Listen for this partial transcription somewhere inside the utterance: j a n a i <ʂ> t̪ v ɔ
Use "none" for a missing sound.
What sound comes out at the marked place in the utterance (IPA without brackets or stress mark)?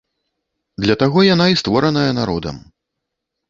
s